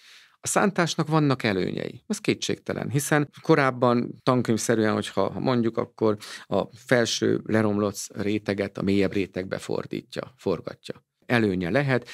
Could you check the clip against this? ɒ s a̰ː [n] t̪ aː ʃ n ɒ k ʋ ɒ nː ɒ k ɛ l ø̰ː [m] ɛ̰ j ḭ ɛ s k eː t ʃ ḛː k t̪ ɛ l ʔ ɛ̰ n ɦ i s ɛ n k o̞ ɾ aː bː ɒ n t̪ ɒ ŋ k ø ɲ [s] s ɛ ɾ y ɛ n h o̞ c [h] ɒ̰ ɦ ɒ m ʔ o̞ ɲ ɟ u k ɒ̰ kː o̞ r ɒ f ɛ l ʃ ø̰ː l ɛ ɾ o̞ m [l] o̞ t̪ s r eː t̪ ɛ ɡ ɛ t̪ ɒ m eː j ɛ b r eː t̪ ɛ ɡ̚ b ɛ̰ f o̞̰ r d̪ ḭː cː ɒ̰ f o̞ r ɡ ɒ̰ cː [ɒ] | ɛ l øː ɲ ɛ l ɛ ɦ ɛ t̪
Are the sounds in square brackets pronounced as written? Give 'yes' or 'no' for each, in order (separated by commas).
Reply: yes, no, no, yes, yes, yes